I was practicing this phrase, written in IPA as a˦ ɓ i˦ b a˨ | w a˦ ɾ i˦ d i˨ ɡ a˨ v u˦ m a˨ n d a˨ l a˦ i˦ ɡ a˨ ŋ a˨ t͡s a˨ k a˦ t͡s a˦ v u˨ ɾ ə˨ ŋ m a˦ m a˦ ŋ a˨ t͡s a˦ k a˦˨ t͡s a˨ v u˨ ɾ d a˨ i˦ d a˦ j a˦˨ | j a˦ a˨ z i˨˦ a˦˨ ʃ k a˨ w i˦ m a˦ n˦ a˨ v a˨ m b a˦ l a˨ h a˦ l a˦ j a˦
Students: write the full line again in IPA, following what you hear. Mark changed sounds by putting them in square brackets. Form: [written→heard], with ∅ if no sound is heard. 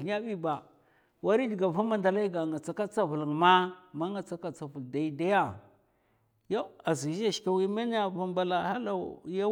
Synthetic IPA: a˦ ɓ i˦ b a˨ | w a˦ ɾ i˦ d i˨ ɡ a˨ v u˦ m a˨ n d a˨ l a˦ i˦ ɡ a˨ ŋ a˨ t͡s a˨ k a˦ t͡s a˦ v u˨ [ɾ→l] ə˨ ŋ m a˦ m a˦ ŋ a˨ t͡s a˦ k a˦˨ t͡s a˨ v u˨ [ɾ→l] d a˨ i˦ d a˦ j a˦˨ | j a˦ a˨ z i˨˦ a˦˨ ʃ k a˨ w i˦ m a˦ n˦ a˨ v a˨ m b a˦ l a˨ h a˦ l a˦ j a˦